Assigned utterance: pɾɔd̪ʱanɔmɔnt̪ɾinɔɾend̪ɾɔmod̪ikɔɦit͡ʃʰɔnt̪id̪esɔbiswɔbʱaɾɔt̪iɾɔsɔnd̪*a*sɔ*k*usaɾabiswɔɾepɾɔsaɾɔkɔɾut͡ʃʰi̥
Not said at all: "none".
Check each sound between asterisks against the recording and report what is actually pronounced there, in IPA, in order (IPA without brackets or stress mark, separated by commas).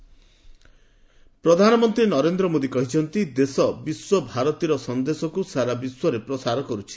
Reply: e, k